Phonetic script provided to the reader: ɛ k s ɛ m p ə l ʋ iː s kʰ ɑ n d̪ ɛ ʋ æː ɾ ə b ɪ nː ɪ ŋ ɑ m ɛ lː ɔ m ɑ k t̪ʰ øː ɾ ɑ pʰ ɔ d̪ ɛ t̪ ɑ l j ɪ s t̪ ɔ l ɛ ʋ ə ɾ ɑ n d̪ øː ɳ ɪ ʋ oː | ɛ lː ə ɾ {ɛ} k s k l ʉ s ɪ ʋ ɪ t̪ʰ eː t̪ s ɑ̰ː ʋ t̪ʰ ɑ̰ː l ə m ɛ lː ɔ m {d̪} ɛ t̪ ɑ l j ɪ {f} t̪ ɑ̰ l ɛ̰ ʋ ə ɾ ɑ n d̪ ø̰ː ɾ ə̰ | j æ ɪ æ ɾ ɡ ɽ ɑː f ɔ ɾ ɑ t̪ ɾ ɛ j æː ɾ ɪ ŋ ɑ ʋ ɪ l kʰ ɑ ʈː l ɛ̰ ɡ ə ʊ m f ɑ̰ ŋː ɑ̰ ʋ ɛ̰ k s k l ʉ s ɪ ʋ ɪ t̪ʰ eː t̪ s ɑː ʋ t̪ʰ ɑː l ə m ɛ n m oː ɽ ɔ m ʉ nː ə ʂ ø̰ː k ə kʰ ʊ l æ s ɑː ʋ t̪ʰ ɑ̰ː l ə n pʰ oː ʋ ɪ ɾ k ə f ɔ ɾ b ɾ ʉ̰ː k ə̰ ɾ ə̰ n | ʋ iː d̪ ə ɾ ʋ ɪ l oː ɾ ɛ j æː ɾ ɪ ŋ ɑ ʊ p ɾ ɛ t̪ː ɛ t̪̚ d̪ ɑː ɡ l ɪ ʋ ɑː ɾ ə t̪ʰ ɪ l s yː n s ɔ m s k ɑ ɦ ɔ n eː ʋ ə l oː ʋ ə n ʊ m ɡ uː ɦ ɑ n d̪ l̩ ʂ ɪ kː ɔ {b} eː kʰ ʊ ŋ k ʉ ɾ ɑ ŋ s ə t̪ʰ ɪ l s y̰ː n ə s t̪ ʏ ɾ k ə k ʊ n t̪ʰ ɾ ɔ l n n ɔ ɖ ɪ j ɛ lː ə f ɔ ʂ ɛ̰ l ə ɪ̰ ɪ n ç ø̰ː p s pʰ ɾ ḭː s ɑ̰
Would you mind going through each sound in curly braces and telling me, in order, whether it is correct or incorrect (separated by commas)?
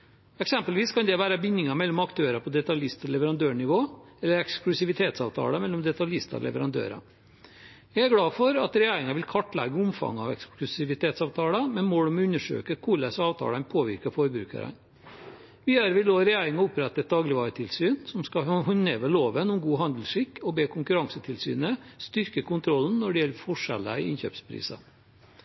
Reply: correct, correct, incorrect, correct